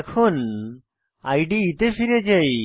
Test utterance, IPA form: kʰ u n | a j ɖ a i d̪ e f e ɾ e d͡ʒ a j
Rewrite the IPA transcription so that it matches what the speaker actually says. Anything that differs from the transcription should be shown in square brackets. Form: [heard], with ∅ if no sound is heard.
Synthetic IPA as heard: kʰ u n | a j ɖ [i] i [t̪] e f [i] ɾ e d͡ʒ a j